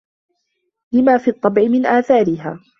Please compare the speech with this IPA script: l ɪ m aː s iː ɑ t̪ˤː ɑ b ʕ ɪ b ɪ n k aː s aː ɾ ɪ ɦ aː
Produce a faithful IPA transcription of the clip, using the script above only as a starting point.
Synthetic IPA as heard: l ɪ m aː f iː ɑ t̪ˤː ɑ b ʕ ɪ m ɪ n ʔ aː θ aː ɾ ɪ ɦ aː